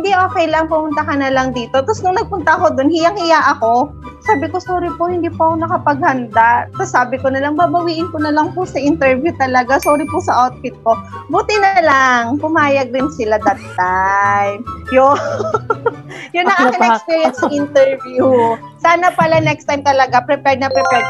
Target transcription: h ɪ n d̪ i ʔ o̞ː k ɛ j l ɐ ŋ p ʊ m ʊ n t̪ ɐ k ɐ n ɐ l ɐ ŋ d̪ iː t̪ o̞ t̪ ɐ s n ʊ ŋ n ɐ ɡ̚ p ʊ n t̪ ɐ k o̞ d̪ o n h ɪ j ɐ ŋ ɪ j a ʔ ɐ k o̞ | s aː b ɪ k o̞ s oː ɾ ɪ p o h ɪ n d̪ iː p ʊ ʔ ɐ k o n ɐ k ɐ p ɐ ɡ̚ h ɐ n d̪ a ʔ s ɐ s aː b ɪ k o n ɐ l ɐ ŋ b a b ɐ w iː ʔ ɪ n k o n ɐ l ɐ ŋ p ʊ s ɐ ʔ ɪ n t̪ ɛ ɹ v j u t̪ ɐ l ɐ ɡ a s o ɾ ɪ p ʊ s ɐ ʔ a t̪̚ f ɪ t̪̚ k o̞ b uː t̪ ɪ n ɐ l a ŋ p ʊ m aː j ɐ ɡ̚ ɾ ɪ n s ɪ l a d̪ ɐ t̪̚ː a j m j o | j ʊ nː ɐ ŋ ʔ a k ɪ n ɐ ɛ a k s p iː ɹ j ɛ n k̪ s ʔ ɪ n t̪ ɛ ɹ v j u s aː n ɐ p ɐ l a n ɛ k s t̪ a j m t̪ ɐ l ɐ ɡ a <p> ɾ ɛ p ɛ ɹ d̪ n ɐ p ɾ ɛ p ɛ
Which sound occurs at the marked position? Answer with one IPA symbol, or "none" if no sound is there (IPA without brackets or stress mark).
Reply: p